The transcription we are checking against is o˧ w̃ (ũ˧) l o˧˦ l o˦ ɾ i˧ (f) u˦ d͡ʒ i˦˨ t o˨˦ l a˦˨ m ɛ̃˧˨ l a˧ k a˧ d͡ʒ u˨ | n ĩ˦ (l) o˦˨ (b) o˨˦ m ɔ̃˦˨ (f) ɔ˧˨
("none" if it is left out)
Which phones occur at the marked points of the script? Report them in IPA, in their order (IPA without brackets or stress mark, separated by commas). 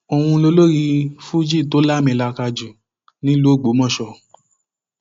ũ˧, f, l, ɡ͡b, ʃ